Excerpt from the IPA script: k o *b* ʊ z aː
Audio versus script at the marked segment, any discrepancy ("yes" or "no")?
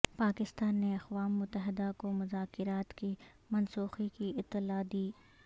yes